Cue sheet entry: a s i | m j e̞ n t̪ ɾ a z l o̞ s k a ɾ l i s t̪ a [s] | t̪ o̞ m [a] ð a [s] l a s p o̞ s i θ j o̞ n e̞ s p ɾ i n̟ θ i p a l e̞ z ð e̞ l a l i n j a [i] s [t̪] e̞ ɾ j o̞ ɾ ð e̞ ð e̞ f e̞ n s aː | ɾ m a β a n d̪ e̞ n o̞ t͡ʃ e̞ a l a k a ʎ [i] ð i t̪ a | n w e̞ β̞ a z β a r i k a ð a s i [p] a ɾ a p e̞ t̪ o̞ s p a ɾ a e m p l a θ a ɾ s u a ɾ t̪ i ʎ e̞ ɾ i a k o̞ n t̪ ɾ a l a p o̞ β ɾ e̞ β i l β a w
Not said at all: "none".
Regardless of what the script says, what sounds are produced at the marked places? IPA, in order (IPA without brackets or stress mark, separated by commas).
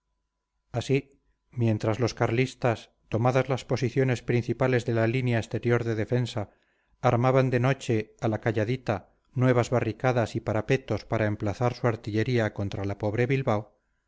s, a, z, e, t̪, a, p